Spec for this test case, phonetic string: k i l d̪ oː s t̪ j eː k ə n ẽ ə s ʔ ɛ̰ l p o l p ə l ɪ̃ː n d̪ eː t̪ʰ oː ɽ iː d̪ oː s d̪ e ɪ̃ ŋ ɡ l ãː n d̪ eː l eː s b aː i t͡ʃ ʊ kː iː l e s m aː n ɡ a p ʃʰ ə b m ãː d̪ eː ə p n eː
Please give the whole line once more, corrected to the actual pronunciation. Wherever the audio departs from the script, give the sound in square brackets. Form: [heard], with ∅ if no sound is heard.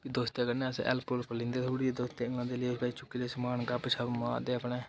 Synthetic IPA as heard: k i [∅] d̪ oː s t̪ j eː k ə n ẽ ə s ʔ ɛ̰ l p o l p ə l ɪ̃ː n d̪ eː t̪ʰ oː ɽ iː d̪ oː s [t̪] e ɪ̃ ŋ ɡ l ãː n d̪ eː l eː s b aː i t͡ʃ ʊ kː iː l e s m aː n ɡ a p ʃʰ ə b m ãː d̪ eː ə p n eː

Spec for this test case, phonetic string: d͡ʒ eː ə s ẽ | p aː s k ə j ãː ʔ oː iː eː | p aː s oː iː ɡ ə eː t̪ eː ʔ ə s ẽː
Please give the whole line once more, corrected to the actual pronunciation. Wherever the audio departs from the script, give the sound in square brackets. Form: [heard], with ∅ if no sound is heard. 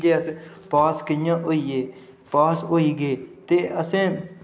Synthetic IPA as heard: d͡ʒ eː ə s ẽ | p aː s k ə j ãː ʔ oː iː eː | p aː s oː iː ɡ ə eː t̪ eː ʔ ə s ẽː

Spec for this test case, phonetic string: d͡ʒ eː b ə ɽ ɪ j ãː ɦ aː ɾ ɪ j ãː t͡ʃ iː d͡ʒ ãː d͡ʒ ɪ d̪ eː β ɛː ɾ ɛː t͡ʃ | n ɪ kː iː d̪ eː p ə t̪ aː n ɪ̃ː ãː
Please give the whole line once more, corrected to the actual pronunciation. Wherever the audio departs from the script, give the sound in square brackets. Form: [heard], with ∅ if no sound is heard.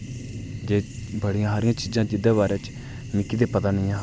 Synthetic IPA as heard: d͡ʒ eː b ə ɽ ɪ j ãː ɦ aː ɾ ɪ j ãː t͡ʃ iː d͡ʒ ãː d͡ʒ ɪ d̪ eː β [aː] ɾ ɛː t͡ʃ | n ɪ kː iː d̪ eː p ə t̪ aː n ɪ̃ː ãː

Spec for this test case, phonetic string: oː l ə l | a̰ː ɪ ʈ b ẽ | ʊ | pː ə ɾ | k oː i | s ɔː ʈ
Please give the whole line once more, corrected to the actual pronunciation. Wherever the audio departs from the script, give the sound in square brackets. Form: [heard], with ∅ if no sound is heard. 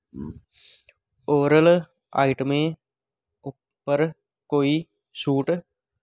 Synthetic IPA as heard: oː [ɾ] ə l | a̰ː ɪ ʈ [m] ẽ | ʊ | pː ə ɾ | k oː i | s [uː] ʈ

